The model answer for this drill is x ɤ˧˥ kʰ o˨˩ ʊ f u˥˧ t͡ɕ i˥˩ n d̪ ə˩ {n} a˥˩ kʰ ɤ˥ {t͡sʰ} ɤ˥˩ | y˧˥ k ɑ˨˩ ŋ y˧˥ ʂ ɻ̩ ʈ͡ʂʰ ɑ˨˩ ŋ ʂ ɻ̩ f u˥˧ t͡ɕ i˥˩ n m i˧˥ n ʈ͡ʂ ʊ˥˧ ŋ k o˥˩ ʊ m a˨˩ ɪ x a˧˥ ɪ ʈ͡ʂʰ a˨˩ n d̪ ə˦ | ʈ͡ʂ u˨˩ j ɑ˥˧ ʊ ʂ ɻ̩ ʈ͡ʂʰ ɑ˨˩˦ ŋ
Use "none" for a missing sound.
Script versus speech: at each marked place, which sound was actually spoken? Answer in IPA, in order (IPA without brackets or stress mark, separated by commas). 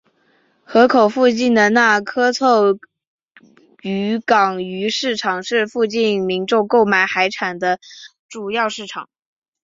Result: n, t͡sʰ